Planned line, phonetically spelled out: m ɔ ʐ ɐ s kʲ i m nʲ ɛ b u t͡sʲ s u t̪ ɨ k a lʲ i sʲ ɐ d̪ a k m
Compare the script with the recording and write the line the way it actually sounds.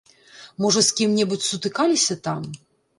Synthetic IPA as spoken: m ɔ ʐ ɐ s kʲ i m nʲ ɛ b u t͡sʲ s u t̪ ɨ k a lʲ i sʲ ɐ t̪ a m